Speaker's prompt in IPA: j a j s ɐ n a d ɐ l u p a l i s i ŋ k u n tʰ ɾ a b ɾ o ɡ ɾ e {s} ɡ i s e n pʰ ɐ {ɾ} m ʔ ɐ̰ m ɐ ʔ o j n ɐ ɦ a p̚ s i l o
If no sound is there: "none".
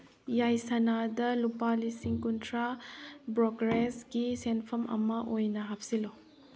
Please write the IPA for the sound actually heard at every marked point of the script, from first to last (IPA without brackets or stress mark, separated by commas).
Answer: s, none